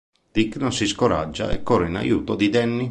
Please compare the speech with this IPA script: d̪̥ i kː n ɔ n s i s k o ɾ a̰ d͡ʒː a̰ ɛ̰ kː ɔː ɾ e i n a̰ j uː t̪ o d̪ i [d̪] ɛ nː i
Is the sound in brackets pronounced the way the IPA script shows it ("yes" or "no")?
yes